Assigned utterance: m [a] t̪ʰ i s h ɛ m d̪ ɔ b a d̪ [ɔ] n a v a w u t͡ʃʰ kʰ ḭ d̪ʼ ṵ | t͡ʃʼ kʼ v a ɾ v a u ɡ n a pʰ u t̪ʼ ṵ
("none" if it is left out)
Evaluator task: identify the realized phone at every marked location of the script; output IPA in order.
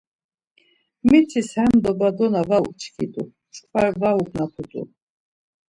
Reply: i, ɔ

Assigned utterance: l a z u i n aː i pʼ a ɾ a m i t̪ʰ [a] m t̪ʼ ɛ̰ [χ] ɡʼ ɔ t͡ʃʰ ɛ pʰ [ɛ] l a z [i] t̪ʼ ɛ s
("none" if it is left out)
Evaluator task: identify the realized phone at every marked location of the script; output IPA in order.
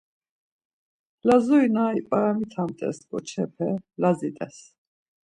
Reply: a, s, ɛ, i

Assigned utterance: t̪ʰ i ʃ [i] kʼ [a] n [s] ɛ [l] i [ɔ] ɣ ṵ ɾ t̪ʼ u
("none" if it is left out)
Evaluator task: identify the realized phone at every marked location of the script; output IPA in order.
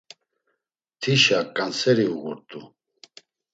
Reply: a, a, s, ɾ, u

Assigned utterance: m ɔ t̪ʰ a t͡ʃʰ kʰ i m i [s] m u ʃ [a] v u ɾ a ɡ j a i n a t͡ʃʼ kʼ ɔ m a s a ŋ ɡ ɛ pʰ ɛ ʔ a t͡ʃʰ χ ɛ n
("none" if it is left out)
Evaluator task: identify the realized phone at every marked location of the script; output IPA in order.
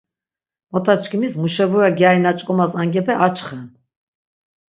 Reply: s, ɛ

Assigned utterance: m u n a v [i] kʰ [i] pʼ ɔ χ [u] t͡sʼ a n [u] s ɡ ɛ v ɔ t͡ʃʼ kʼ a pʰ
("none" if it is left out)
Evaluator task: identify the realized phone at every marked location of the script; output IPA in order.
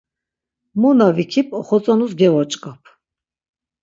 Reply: i, i, ɔ, u

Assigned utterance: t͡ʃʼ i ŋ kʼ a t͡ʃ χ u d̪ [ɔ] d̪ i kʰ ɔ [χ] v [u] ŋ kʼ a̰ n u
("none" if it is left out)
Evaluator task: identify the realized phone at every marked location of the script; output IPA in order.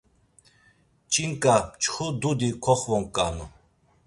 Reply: u, χ, ɔ

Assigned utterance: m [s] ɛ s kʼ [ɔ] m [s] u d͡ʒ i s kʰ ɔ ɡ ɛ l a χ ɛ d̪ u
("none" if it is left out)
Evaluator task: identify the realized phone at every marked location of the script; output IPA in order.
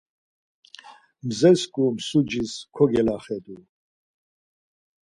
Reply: z, u, s

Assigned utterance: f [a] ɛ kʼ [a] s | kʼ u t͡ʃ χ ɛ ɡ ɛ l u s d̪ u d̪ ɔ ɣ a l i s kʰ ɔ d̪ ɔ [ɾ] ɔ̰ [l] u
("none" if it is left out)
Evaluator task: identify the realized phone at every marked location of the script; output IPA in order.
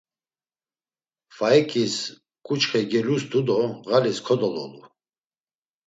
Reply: a, i, l, l

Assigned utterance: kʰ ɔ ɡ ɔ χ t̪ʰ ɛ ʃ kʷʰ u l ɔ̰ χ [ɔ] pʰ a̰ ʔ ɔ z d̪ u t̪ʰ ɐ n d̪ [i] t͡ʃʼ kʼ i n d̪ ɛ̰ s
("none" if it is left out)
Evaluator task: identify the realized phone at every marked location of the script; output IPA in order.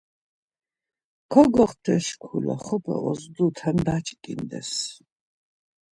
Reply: ɔ, a

